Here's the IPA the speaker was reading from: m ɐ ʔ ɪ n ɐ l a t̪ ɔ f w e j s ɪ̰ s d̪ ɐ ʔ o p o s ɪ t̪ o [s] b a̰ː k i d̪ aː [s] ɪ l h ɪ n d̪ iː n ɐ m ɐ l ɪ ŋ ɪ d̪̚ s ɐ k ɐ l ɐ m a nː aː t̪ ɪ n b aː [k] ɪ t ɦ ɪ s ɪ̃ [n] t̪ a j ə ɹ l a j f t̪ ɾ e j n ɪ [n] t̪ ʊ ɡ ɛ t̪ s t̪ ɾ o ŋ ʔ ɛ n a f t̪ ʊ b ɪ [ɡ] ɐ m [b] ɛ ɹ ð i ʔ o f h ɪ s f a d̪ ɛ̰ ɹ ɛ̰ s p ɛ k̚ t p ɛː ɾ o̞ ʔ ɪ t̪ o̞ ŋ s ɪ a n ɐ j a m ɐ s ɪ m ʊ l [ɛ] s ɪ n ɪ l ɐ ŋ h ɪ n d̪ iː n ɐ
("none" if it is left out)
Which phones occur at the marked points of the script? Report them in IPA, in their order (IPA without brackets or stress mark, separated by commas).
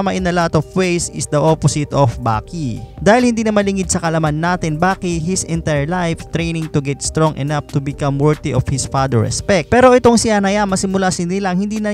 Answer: f, h, k, n, ŋ, k, w, a